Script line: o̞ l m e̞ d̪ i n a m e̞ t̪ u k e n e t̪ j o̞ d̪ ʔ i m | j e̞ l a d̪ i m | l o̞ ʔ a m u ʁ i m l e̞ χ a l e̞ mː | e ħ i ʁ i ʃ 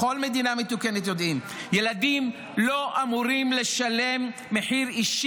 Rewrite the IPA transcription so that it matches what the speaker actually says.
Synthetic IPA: o̞ l m e̞ d̪ i n a m e̞ t̪ u k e n e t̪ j o̞ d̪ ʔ i m | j e̞ l a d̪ i m | l o̞ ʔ a m u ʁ i m l e̞ ʃ a l e̞ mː | e ħ i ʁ i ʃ